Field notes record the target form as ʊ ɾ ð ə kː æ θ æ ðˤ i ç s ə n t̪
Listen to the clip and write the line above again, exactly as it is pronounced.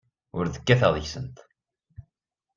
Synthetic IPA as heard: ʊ ɾ ð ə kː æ θ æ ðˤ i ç s ə n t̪